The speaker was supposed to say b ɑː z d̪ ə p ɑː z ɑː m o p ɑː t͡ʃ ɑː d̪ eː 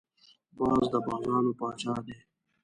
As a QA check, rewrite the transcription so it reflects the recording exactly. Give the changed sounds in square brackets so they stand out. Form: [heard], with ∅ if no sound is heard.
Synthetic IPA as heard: b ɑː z d̪ ə [b] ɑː z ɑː [n] o p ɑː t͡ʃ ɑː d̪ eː

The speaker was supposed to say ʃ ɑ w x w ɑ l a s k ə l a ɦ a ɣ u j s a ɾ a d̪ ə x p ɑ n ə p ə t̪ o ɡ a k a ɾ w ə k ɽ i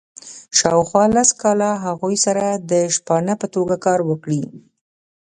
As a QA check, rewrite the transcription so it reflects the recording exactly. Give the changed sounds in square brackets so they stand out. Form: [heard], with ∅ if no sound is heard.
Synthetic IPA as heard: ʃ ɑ w x w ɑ l a s k [ɑ] l a ɦ a ɣ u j s a ɾ a d̪ ə [ʃ] p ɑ n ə p ə t̪ o ɡ a k [ɑ] ɾ w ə k ɽ i

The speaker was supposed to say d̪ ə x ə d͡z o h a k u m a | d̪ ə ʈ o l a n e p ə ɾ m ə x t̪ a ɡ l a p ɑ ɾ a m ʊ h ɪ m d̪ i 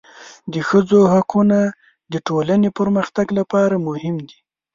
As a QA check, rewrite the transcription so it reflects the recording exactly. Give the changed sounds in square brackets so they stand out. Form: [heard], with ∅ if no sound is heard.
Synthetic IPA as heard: d̪ ə x ə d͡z o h a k u [n] a | d̪ ə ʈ o l a n e p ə ɾ m ə x t̪ a ɡ l a p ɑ ɾ a m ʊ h ɪ m d̪ i

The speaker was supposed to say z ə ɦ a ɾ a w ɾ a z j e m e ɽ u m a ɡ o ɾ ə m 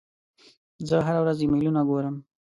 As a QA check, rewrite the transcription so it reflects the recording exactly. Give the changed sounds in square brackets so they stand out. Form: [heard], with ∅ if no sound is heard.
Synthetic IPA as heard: z ə ɦ a ɾ a w ɾ a z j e m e [l] u [n] a ɡ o ɾ ə m

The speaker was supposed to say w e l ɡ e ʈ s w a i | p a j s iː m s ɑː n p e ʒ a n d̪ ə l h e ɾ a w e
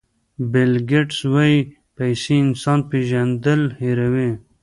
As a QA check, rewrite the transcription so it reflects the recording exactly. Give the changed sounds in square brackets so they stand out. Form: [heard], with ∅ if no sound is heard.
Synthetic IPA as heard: [b] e l ɡ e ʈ s w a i | p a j s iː [n] s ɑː n p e ʒ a n d̪ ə l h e ɾ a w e

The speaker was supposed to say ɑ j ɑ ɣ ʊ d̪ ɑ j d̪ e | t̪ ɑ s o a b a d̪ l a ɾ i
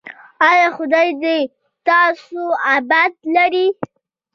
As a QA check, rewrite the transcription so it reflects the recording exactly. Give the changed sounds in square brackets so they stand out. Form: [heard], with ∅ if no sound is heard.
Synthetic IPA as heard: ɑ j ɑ [x] ʊ d̪ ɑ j d̪ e | t̪ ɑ s o a b a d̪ l a ɾ i

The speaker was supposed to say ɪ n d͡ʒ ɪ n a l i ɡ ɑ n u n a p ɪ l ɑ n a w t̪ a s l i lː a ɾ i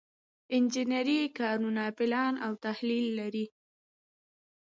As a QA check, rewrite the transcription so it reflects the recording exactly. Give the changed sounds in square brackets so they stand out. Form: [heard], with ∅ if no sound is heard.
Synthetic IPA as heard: ɪ n d͡ʒ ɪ n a [ɾ] i [k] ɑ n u n a p ɪ l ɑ n a w t̪ a [h] l i lː a ɾ i

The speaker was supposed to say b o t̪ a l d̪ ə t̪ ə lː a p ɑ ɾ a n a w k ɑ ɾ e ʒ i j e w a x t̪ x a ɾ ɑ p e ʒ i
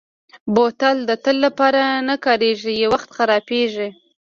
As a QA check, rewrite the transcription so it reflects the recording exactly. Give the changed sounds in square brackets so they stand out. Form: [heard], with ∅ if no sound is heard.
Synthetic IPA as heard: b o t̪ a l d̪ ə t̪ ə lː a p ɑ ɾ a n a [∅] k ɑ ɾ e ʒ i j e w a x t̪ x a ɾ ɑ p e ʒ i

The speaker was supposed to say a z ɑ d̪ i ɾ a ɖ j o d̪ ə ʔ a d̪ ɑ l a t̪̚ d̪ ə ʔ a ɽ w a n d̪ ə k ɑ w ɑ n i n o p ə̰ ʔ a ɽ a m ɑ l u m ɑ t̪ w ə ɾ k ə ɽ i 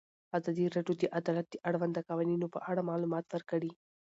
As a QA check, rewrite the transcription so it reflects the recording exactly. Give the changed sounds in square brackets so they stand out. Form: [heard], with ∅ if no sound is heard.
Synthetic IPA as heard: a z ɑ d̪ i ɾ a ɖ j o d̪ ə ʔ a d̪ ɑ l a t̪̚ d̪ ə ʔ a ɽ w a n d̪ ə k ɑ w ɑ n i n o p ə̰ ʔ a ɽ a m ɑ l u m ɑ t̪ w ə ɾ k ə ɽ i

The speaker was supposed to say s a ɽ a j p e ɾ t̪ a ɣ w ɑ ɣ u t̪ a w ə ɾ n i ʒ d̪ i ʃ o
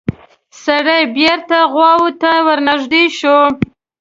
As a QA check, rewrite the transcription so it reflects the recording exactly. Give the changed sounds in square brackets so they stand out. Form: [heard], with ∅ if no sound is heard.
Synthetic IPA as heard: s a ɽ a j [b] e ɾ t̪ a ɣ w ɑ [w] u t̪ a w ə ɾ n [a] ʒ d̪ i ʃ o

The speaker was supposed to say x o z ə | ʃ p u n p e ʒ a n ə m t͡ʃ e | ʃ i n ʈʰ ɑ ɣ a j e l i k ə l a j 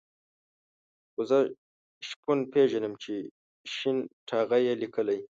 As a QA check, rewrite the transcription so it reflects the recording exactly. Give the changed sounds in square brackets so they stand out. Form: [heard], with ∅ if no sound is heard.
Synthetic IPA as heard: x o z ə | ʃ p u n p e ʒ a n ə m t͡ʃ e | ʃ i n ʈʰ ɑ ɣ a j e l i k ə l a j

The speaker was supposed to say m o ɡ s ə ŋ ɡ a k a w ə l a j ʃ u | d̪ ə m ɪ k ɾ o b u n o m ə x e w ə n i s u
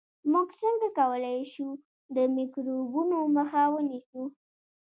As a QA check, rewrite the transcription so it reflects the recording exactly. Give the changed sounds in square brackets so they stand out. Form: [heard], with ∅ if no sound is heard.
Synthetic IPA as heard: m [u] ɡ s ə ŋ ɡ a k a w ə l a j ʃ u | d̪ ə m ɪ k ɾ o b u n o m ə x [a] w ə n i s u

